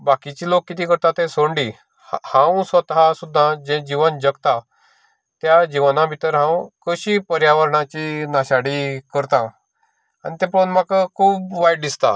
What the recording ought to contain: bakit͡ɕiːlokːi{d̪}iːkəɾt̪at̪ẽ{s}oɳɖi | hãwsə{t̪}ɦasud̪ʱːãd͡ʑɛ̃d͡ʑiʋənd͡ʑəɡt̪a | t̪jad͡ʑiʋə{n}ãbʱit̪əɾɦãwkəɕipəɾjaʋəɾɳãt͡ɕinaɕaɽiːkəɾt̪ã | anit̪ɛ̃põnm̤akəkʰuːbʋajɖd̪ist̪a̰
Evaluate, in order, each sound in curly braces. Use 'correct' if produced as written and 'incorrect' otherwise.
incorrect, correct, correct, correct

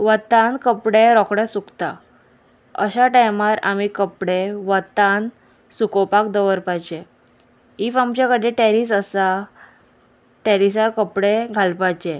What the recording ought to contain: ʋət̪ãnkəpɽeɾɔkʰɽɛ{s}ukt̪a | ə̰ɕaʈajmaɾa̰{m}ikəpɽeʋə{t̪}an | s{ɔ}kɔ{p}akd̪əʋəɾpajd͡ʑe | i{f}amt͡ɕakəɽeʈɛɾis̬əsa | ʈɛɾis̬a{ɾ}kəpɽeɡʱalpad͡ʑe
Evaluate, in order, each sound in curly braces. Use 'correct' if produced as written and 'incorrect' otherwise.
correct, correct, correct, incorrect, correct, correct, correct

